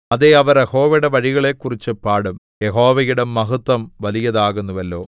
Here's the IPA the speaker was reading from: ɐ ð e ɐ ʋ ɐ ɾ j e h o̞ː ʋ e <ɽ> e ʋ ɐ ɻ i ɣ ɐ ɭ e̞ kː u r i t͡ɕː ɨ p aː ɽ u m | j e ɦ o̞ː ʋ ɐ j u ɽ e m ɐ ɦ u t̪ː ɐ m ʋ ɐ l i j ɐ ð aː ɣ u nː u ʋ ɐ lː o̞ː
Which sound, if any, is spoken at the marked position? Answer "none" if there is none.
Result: ɽ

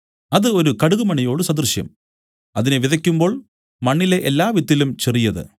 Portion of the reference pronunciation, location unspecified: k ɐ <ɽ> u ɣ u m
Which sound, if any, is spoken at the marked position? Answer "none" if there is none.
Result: ɽ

